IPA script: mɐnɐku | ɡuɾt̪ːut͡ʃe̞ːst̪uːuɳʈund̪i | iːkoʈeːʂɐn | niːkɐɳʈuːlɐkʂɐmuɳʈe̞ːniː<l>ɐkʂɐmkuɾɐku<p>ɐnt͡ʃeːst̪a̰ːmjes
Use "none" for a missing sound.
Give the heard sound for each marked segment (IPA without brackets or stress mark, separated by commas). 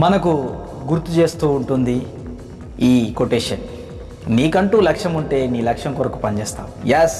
l, p